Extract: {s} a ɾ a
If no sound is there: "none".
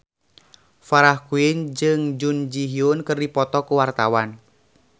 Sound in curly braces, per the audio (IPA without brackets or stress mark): f